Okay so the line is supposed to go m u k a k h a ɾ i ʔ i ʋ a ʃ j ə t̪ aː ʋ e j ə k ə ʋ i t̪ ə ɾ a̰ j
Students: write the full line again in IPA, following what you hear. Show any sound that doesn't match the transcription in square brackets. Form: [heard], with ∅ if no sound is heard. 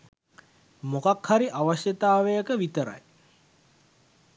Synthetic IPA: m [o] k a k h a ɾ i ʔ [a] ʋ a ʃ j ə t̪ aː ʋ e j ə k ə ʋ i t̪ ə ɾ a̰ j